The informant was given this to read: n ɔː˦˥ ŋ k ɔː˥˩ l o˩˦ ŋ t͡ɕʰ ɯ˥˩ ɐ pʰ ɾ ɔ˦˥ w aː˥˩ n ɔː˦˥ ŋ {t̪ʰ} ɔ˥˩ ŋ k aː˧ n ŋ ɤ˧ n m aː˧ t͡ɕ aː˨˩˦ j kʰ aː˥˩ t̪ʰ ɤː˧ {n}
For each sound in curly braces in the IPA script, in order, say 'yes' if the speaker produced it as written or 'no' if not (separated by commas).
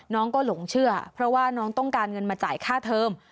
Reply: no, no